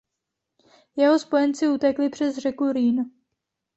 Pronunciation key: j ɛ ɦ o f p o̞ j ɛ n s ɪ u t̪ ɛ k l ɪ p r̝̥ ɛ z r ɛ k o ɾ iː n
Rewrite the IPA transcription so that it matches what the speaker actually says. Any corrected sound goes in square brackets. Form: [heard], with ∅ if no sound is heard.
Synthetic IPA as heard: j ɛ ɦ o [s] p o̞ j ɛ n [t͡s] ɪ u t̪ ɛ k l ɪ p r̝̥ ɛ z r ɛ k [u] ɾ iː n